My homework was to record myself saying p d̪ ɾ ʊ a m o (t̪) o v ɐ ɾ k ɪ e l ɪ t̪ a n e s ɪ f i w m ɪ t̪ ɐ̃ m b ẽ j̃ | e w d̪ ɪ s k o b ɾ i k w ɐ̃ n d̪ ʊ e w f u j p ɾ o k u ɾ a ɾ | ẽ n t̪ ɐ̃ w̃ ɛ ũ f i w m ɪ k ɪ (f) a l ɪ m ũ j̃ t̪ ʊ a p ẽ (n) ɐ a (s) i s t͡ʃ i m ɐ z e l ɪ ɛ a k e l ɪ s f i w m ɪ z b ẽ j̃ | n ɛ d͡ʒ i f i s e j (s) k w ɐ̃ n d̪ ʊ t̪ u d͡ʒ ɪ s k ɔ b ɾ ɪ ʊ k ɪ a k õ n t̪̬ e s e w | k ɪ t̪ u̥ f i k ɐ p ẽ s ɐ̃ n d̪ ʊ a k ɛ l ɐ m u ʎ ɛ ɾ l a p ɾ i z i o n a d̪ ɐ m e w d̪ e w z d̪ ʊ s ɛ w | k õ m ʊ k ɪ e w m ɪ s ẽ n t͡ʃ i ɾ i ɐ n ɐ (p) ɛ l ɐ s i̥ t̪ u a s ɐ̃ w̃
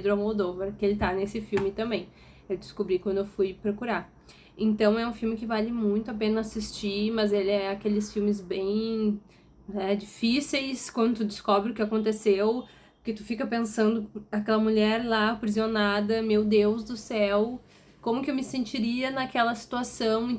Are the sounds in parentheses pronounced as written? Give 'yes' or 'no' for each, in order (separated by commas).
no, no, yes, yes, yes, no